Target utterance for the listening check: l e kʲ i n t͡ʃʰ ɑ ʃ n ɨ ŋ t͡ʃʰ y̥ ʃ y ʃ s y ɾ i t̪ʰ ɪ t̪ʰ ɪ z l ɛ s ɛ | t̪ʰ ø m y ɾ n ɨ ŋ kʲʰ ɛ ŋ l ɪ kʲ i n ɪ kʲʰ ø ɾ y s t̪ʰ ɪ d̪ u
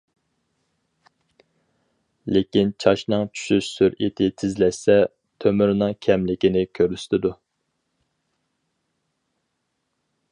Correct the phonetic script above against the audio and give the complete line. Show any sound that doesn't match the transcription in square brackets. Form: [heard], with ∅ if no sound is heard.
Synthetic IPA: l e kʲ i n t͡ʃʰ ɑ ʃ n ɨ ŋ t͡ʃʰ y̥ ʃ y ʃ s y ɾ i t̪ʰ ɪ t̪ʰ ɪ z l ɛ s ɛ | t̪ʰ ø m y ɾ n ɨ ŋ kʲʰ ɛ [m] l ɪ kʲ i n ɪ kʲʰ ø ɾ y s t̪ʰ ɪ d̪ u